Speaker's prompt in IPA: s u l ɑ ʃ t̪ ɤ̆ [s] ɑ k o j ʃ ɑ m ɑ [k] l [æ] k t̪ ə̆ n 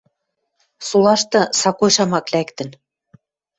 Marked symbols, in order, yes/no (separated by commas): yes, yes, yes